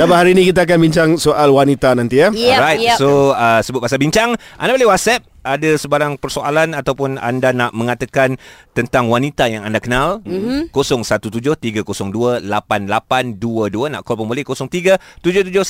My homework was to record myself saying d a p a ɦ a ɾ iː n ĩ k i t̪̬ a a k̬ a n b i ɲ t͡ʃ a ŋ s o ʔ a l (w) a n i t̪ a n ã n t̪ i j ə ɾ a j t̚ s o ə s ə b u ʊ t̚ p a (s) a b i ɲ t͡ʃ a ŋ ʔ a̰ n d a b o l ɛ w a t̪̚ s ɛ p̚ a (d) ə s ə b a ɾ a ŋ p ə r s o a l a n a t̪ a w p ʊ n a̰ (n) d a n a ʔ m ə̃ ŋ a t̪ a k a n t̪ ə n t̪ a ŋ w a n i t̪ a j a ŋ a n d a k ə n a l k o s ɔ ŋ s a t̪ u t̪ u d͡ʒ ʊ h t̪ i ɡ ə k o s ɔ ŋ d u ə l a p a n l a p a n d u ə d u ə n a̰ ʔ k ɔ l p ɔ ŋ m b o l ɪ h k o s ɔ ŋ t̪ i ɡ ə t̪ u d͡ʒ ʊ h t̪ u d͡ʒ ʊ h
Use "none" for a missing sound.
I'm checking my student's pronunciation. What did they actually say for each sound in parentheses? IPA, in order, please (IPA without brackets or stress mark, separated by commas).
w, s, d, n